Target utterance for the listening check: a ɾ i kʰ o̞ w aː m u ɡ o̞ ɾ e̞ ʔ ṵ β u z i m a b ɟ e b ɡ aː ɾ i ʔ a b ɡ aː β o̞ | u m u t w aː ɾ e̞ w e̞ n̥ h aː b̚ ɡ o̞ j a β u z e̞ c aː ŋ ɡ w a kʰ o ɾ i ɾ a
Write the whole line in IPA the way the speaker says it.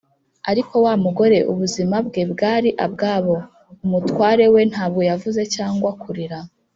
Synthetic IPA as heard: a ɾ i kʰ o̞ w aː m u ɡ o̞ ɾ e̞ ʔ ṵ β u z i m a b ɡ e b ɡ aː ɾ i ʔ a b ɡ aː β o̞ | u m u t w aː ɾ e̞ w e̞ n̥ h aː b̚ ɡ o̞ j a v u z e̞ c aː ŋ ɡ w a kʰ u ɾ i ɾ a